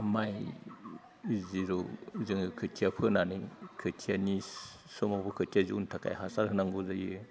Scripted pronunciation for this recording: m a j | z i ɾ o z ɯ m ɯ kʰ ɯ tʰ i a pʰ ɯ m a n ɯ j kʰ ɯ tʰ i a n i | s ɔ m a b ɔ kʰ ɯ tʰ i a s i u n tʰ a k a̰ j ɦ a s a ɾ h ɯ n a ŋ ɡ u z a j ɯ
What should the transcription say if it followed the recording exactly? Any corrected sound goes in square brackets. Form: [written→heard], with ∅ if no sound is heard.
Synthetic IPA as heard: m a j | z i ɾ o z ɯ [m→ŋ] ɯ kʰ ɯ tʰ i a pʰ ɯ [m→n] a n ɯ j kʰ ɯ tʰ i a n i | s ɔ m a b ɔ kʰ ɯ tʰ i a [s→z] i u n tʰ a k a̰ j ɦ a s a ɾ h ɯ n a ŋ ɡ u z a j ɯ